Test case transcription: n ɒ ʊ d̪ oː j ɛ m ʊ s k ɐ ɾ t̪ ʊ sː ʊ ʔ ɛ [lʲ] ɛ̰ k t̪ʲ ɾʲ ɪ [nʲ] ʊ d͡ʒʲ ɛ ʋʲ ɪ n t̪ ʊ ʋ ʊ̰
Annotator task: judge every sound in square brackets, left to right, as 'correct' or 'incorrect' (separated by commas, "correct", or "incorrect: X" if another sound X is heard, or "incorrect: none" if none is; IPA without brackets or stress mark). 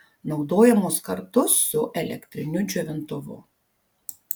correct, correct